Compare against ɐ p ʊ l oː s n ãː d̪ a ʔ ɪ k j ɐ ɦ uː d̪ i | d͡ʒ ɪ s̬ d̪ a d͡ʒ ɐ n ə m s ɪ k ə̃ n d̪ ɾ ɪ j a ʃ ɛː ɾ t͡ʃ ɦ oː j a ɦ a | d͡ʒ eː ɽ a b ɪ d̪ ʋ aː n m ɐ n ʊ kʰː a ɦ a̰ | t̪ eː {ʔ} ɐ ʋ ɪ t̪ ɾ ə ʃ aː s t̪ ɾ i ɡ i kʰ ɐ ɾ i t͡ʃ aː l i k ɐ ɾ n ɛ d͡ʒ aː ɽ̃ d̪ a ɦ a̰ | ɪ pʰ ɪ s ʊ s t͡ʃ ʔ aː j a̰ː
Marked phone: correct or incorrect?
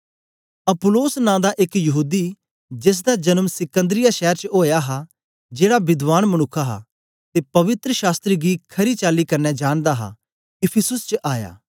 incorrect